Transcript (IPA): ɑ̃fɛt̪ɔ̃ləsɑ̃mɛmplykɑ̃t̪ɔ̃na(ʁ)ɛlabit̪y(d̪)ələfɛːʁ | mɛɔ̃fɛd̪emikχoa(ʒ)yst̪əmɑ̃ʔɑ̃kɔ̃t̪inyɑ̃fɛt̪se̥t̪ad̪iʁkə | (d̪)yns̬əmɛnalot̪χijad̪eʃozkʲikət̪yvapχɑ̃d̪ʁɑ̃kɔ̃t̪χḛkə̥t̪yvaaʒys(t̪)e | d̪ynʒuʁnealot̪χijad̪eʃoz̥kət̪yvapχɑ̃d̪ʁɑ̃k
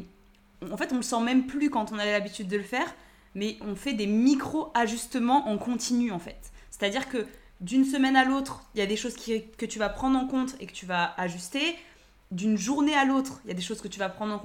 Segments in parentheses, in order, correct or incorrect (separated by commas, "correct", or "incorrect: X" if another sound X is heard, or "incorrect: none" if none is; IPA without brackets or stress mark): incorrect: v, incorrect: d̪ː, correct, correct, correct